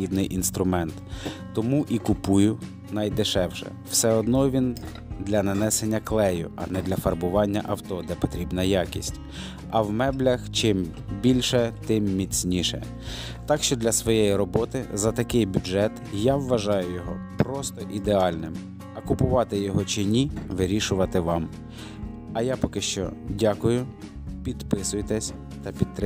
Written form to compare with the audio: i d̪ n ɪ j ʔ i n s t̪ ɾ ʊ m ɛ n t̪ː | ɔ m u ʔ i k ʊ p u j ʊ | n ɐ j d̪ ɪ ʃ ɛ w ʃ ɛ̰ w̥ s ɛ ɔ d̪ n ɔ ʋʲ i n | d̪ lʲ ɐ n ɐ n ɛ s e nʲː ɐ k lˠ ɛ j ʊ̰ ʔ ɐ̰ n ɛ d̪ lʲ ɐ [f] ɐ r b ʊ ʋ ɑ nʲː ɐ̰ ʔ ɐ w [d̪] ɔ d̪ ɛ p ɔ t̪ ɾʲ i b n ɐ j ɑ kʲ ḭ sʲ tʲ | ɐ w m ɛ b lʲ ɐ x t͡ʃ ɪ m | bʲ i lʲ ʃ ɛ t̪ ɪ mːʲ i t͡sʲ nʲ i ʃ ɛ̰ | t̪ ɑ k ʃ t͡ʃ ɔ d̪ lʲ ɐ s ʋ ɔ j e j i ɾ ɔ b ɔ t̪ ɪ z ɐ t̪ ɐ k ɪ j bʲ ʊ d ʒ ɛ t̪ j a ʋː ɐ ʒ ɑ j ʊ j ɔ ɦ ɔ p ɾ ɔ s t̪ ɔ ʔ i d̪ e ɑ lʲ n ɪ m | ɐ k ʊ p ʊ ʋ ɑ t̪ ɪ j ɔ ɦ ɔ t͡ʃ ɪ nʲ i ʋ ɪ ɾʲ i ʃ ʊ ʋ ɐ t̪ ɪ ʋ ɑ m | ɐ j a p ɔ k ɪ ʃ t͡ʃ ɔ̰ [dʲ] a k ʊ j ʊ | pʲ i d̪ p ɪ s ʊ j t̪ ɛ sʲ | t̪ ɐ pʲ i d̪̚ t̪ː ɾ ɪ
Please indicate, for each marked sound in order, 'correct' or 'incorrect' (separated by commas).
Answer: correct, incorrect, correct